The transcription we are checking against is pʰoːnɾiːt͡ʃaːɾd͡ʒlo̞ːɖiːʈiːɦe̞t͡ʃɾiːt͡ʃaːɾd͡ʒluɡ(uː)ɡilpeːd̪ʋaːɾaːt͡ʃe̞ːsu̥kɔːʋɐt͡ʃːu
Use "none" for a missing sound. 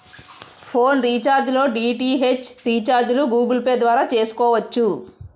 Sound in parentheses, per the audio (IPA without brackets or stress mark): uː